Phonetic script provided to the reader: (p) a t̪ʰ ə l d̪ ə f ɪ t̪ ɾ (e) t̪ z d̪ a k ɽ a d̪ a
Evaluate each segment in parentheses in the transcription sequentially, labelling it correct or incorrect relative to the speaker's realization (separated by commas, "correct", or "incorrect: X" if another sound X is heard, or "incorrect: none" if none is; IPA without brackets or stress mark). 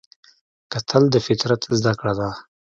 incorrect: k, incorrect: a